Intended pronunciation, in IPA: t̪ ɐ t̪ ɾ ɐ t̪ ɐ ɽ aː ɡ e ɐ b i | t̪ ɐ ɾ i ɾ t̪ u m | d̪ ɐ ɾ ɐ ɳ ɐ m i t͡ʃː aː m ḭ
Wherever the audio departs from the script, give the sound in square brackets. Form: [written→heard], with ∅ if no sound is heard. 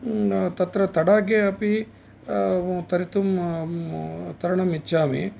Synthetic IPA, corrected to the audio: t̪ ɐ t̪ ɾ ɐ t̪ ɐ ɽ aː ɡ e ɐ [b→p] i | t̪ ɐ ɾ i [ɾ→∅] t̪ u m | [d̪→t̪] ɐ ɾ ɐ ɳ ɐ m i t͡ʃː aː m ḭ